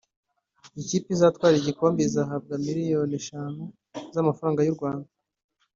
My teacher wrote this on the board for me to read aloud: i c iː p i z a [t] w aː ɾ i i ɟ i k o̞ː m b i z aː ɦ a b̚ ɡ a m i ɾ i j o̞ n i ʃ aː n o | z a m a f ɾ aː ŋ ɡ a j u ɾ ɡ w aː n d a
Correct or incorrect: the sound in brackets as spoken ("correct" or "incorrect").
correct